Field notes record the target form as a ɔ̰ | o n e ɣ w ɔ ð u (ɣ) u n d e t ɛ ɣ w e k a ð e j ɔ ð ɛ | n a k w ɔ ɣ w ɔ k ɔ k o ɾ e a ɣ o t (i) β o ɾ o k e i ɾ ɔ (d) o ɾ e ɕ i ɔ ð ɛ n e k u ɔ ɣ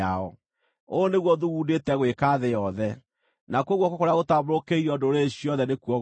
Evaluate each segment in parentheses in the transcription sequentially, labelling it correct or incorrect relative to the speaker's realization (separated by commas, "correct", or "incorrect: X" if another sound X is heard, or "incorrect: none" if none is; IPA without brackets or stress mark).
correct, incorrect: a, correct